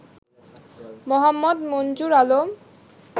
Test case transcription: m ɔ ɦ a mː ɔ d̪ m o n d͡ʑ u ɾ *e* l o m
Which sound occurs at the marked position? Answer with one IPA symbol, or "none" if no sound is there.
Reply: a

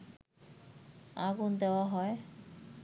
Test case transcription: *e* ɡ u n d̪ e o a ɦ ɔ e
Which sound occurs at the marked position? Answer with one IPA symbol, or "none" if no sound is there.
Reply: a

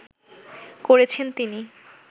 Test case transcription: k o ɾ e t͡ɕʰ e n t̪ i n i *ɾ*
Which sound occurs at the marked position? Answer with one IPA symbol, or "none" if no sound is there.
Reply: none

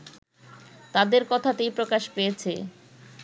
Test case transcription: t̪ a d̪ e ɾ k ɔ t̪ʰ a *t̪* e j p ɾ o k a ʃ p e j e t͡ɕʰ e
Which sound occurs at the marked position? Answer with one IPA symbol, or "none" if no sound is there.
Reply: t̪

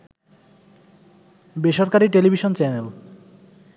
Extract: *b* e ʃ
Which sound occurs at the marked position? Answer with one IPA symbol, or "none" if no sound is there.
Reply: b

